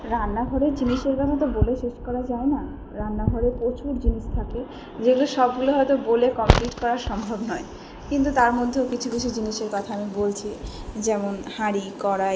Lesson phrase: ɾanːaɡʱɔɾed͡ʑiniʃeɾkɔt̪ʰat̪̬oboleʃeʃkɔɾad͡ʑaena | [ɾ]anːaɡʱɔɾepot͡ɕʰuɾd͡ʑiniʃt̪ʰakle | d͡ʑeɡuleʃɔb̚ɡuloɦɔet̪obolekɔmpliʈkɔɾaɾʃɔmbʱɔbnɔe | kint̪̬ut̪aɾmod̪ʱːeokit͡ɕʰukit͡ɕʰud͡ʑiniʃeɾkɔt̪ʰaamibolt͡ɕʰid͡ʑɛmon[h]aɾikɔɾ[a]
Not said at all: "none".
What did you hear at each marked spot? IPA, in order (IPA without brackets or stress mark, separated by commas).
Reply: ɾ, h, a